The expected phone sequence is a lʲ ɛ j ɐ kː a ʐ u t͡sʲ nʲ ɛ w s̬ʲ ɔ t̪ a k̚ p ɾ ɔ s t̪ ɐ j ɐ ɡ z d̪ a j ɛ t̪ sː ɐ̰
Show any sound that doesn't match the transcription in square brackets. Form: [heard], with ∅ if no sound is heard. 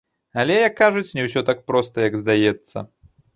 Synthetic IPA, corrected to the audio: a lʲ ɛ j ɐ kː a ʐ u t͡sʲ nʲ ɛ w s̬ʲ ɔ t̪ a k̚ p ɾ ɔ s t̪ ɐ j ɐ ɡ z d̪ a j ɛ t̪ sː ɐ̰